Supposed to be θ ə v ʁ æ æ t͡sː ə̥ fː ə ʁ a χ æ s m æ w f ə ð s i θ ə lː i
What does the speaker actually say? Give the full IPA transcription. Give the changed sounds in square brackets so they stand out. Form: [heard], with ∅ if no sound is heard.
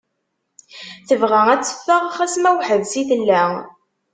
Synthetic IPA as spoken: θ ə v ʁ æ æ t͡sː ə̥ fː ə ʁ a χ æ s m æ w [ħ] ə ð s i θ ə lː [æ]